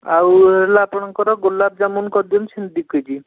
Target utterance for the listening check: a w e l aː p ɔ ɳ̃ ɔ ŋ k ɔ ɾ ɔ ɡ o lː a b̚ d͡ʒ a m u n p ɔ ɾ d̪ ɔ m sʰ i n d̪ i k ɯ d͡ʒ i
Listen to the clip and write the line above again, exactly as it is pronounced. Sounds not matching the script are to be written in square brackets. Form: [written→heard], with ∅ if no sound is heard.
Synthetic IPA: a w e l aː p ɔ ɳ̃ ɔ ŋ k ɔ ɾ ɔ ɡ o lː a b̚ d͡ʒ a m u n [p→k] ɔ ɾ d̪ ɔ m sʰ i n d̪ i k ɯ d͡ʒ i